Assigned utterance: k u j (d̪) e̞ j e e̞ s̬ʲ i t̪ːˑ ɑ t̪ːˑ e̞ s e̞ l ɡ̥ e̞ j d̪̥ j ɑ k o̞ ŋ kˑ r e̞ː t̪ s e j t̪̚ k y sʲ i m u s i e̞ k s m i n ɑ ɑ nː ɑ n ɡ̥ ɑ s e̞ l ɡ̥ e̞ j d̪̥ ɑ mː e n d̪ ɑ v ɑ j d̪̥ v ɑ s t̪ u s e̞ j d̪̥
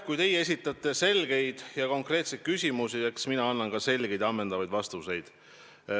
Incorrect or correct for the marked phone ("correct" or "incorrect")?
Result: incorrect